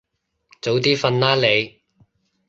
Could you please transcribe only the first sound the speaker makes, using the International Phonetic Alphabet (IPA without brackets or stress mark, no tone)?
t͡s